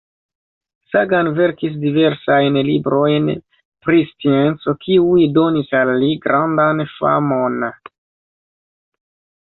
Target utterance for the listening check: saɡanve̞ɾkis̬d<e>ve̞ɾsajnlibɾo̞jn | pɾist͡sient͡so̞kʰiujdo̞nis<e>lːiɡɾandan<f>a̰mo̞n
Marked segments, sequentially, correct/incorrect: incorrect, incorrect, correct

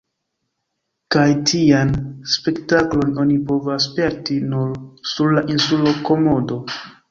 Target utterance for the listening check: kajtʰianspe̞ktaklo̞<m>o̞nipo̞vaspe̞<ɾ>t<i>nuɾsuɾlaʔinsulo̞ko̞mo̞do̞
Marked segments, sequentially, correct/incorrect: incorrect, correct, correct

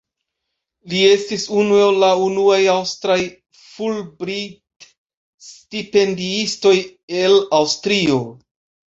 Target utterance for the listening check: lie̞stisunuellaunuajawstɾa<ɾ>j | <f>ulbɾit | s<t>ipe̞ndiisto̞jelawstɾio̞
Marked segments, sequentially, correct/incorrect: incorrect, correct, correct

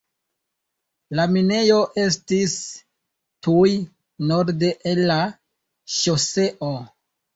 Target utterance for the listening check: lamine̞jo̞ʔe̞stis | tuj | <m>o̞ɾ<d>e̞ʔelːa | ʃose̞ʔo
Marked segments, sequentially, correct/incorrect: incorrect, correct

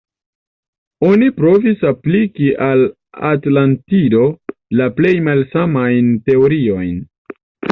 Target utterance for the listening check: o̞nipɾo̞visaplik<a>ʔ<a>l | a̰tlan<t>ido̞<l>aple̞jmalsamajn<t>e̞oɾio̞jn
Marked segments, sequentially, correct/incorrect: incorrect, correct, correct, correct, correct

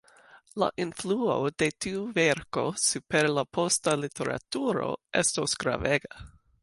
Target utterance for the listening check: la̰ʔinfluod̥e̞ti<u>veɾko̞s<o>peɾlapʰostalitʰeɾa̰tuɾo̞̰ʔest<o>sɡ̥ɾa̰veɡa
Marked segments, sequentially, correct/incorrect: correct, incorrect, correct

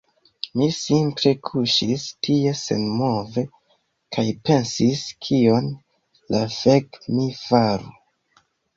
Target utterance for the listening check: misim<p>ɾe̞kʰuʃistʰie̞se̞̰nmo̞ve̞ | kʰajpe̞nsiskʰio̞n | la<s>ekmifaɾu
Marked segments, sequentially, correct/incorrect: correct, incorrect

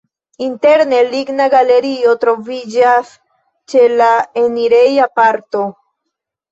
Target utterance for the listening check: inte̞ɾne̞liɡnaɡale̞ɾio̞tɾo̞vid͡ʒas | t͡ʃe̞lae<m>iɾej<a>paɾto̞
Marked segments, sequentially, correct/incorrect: incorrect, correct

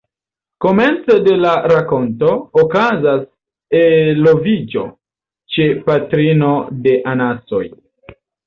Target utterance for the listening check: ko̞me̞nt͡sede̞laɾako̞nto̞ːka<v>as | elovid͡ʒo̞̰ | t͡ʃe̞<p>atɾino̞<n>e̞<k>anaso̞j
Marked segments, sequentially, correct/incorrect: incorrect, correct, incorrect, incorrect

